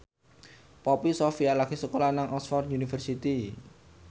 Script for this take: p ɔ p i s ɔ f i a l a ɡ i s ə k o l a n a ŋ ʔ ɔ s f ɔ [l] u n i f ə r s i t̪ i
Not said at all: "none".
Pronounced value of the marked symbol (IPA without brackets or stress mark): r